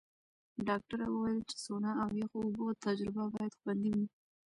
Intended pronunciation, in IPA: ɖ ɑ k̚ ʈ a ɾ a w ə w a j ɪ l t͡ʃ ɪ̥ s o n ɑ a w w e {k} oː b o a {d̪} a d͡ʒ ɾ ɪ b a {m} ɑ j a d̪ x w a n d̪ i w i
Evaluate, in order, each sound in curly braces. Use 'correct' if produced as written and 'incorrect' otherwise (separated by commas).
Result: incorrect, incorrect, incorrect